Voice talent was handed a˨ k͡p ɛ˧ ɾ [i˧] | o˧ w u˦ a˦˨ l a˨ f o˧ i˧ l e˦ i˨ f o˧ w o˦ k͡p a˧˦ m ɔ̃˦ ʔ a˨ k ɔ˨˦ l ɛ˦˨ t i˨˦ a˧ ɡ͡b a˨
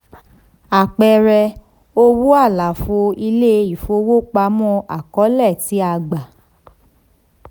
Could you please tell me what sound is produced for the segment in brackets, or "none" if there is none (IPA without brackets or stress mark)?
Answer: ɛ˧